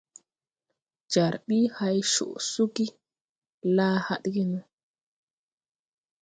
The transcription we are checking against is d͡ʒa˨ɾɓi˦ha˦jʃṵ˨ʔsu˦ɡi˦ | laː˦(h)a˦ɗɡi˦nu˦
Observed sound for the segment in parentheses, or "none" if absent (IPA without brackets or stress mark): h